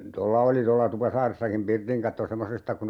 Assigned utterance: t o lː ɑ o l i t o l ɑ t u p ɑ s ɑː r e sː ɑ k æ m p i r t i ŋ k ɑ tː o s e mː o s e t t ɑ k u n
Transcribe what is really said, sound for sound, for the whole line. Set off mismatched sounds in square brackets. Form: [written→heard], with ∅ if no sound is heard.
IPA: t o lː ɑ o l i t o [l→lː] ɑ t u p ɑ s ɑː r e sː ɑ k [æ→i] m p i r t i ŋ k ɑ tː o s e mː o s e [t→s] t ɑ k u n